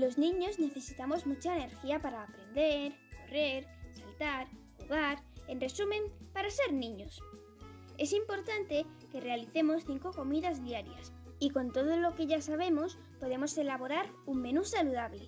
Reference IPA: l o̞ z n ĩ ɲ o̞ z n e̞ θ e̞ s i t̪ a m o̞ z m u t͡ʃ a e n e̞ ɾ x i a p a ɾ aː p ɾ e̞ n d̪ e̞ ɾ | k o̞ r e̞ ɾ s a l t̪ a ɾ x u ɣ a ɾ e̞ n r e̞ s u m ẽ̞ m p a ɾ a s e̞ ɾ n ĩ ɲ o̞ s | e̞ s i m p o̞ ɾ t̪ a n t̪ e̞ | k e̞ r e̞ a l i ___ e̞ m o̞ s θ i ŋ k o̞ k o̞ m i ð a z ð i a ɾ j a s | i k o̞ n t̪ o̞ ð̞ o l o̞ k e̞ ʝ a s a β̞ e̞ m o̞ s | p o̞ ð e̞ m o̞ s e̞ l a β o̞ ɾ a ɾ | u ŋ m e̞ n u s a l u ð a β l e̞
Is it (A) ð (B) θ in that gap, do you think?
B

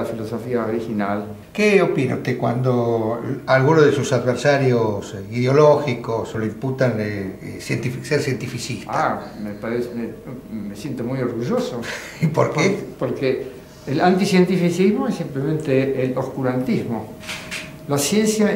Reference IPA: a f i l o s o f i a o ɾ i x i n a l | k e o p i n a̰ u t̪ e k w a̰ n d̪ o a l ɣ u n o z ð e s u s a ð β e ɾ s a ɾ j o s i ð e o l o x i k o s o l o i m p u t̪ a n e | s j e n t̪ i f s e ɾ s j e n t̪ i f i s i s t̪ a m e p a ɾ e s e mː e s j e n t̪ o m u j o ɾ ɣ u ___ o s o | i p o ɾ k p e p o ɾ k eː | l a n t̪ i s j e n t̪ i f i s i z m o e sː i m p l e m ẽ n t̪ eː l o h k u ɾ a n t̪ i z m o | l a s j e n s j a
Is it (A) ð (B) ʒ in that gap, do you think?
B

